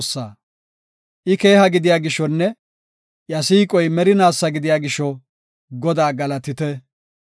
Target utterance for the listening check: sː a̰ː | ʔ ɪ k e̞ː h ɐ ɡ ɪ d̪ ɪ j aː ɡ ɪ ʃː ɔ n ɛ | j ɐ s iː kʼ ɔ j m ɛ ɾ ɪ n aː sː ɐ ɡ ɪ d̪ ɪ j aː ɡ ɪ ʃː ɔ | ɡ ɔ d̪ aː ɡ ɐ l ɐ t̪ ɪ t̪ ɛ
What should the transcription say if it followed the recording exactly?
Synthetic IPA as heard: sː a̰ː | ʔ ɪ k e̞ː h ɐ ɡ ɪ d̪ ɪ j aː ɡ ɪ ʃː ɔ nː ɛ | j ɐ s iː kʼ ɔ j m ɛ ɾ ɪ n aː sː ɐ ɡ ɪ d̪ ɪ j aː ɡ ɪ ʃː ɔ | ɡ ɔ d̪ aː ɡ ɐ l ɐ t̪ ɪ t̪ ɛ